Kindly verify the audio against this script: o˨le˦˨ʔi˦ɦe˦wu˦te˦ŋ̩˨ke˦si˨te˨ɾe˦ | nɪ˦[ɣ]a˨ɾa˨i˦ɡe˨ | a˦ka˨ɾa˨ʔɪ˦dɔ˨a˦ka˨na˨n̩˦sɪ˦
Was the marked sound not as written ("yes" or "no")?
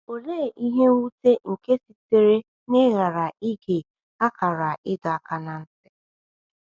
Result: no